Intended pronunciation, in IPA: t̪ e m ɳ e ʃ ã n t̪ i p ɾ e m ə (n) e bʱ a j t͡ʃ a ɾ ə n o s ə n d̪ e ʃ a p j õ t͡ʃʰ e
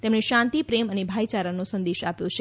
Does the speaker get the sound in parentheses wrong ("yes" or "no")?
no